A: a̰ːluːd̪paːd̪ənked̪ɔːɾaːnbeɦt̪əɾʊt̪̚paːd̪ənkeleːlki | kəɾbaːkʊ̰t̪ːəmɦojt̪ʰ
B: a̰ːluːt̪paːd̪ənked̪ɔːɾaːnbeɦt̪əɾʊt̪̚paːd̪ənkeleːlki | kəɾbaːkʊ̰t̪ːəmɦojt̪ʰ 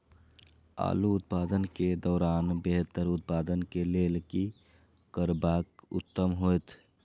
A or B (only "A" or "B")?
B